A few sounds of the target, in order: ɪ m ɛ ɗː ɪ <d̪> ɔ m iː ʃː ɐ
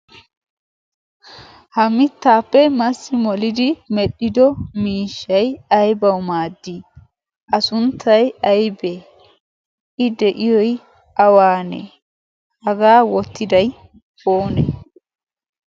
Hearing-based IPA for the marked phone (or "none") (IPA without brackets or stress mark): d̪